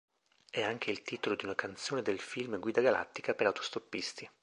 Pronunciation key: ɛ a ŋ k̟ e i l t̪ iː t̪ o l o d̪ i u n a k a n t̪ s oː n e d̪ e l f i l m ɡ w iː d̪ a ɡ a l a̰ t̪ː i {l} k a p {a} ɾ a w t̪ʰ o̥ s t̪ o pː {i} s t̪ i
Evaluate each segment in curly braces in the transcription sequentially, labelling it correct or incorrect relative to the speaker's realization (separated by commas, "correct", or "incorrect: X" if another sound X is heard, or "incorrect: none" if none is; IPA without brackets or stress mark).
incorrect: none, incorrect: e, correct